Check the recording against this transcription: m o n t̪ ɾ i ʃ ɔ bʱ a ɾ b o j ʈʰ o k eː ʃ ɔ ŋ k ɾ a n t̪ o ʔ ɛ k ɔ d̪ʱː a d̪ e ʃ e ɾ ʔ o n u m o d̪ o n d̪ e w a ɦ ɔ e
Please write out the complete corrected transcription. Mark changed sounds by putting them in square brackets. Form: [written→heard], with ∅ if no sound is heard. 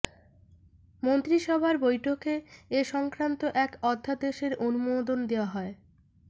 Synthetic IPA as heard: m o n t̪ ɾ i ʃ ɔ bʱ a ɾ b o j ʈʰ o k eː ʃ ɔ ŋ k ɾ a n t̪ o ʔ ɛ k ɔ d̪ʱː a d̪ e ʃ e ɾ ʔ o n u m o d̪ o n d̪ e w a ɦ ɔ e